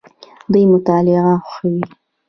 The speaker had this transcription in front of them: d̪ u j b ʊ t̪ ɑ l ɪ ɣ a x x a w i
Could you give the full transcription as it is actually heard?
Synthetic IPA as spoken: d̪ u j m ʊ t̪ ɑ l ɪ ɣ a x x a w i

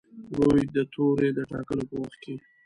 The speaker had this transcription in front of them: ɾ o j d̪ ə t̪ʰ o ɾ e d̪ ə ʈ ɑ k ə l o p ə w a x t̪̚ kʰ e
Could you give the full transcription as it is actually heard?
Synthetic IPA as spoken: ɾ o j d̪ ə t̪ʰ o ɾ e d̪ ə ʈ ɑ k ə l o p ə w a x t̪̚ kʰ e

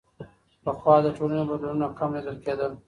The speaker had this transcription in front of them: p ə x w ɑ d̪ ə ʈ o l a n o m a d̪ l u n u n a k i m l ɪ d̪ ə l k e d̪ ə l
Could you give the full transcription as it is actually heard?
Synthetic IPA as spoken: p ə x w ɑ d̪ ə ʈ o l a n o b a d̪ l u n u n a k a m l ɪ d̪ ə l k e d̪ ə l

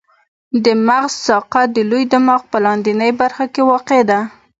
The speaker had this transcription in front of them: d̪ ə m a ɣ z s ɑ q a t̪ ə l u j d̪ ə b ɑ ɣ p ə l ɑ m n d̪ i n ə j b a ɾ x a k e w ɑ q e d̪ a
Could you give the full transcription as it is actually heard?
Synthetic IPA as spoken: d̪ ə m a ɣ z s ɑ q a d̪ ə l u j d̪ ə m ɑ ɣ p ə l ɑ n d̪ i n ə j b a ɾ x a k e w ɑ q e d̪ a

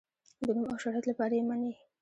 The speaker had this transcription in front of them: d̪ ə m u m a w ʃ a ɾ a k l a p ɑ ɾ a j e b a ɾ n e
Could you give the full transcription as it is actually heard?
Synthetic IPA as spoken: d̪ ə n u m a w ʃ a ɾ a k l a p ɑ ɾ a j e m a n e

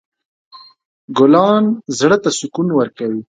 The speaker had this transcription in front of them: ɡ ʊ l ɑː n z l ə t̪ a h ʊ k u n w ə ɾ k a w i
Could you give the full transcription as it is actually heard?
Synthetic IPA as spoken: ɡ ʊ l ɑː n z ɽ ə t̪ a s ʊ k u n w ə ɾ k a w i

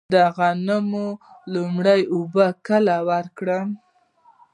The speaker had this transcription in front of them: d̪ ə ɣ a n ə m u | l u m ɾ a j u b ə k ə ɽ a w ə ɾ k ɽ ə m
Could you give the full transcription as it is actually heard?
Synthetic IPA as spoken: d̪ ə ɣ a n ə m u | l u m ɽ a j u b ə k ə l a w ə ɾ k ɽ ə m

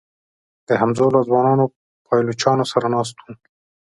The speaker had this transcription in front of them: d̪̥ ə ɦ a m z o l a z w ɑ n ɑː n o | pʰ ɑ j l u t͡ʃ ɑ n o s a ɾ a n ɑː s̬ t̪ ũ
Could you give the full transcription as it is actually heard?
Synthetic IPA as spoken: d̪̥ ə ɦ a m z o l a z w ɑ n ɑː n o | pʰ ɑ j l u t͡ʃ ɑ n o s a ɾ a n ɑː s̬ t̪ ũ

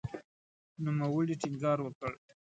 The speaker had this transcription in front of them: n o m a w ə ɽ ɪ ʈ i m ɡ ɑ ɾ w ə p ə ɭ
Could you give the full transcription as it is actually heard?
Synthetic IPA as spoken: n u m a w ə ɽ i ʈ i ŋ ɡ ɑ ɾ w ə k ə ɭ

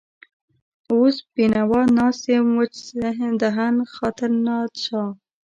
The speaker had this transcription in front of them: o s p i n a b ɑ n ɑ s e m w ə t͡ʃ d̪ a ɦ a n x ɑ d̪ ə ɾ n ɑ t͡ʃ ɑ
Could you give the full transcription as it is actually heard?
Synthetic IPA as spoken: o s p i n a w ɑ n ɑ s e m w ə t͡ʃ d̪ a ɦ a n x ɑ t̪ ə ɾ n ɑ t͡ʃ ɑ

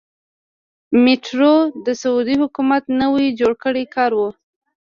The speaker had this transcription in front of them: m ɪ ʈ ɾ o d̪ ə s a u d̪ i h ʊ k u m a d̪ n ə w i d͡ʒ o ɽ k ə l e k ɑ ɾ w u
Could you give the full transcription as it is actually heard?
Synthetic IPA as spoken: m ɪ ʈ ɾ o d̪ ə s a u d̪ i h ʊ k u m a t̪ n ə w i d͡ʒ o ɽ k ə ɽ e k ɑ ɾ w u

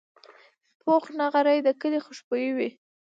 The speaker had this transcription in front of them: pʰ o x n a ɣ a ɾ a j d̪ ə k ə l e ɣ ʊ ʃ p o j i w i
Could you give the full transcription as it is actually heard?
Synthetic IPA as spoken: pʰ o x n a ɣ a ɾ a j d̪ ə k ə l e x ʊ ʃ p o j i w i

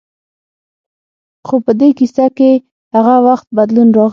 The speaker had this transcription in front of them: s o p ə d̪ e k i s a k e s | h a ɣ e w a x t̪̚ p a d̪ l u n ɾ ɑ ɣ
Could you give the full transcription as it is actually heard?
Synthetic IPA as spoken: x o p ə d̪ e k i s a k e | h a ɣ a w a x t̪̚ b a d̪ l u n ɾ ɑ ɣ

